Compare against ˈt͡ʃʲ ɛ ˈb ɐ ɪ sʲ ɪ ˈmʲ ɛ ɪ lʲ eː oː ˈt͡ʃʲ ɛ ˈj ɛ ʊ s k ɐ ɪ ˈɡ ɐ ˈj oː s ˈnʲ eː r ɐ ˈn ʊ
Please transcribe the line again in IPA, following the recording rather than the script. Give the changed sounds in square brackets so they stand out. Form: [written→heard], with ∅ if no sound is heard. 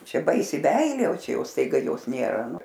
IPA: ˈt͡ʃʲ ɛ ˈb ɐ ɪ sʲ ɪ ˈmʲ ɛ ɪ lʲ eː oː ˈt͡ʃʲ ɛ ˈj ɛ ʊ s [k→t] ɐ ɪ ˈɡ ɐ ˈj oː s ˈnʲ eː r ɐ ˈn ʊ